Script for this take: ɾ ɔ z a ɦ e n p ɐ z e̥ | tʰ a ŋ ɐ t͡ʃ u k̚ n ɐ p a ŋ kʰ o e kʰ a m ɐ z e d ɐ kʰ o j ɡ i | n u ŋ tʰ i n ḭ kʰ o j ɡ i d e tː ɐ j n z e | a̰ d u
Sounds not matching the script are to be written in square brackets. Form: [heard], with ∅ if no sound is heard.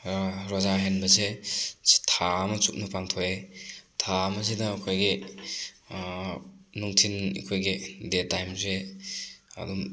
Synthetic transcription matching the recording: ɾ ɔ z a ɦ e n [b] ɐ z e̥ | tʰ a [m] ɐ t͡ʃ u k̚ n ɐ p a ŋ [tʰ] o e [tʰ] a m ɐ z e d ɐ kʰ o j ɡ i | n u ŋ tʰ i n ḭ kʰ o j ɡ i d e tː [a] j [m] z e | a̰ d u